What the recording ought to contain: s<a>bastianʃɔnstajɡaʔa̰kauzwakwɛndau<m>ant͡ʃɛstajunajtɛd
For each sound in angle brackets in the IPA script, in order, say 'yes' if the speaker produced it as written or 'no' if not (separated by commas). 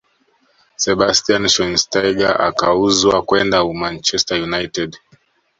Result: no, yes